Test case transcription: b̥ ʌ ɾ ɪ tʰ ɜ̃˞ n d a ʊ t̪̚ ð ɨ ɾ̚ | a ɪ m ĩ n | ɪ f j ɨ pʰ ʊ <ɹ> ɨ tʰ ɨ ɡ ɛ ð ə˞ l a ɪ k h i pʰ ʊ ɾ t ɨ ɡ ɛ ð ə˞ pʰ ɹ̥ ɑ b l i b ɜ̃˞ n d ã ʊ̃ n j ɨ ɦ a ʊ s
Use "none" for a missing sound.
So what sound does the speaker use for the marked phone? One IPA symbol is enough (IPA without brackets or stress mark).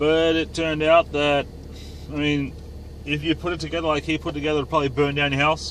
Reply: ɾ